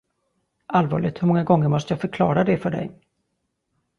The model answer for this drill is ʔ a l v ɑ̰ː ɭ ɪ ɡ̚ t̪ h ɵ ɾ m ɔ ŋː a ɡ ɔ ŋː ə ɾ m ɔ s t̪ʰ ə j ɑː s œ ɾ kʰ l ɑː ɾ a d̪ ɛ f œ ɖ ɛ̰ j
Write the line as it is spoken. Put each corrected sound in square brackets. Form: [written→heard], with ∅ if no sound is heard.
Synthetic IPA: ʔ a l v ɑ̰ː ɭ ɪ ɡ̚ t̪ h ɵ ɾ m ɔ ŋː a ɡ ɔ ŋː ə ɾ m ɔ s [t̪ʰ→t̪] ə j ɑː [s→f] œ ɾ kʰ l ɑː ɾ a d̪ ɛ f œ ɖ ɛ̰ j